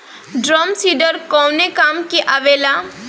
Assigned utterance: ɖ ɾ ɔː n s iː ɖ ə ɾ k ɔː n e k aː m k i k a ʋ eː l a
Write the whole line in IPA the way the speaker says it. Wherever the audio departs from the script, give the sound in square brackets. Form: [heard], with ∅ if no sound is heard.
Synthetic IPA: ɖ ɾ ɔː [m] s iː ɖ ə ɾ k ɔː n e k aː m k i [ʔ] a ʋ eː l a